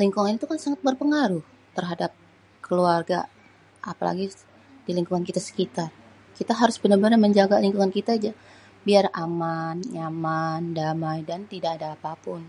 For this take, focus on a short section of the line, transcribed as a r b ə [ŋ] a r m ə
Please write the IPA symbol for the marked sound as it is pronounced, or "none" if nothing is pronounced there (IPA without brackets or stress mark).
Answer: n